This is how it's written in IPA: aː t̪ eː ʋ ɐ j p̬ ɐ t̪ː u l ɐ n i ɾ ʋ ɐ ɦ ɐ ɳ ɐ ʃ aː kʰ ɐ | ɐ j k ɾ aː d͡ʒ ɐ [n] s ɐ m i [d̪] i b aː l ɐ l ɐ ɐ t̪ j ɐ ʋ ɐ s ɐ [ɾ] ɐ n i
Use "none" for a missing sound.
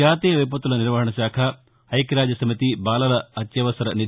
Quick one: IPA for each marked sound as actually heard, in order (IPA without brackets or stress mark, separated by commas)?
none, t̪, ɾ